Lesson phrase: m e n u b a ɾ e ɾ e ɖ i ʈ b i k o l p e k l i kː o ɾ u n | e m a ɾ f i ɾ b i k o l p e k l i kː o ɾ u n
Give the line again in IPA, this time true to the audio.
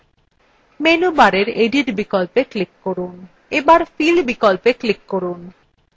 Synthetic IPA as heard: m e n u b a ɾ e ɾ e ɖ i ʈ b i k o l p e k l i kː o ɾ u n | e b a ɾ f i l b i k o l p e k l i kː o ɾ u n